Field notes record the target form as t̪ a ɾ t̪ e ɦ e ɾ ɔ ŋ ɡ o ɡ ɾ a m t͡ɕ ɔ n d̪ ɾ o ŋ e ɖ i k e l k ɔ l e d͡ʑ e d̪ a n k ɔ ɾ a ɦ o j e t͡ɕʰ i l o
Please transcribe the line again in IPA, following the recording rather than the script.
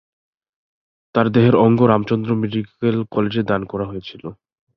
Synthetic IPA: t̪ a ɾ d̪ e ɦ e ɾ ɔ ŋ ɡ o ɾ a m t͡ɕ ɔ n d̪ ɾ o m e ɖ i k e l k ɔ l e d͡ʑ e d̪ a n k ɔ ɾ a ɦ o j e t͡ɕʰ i l o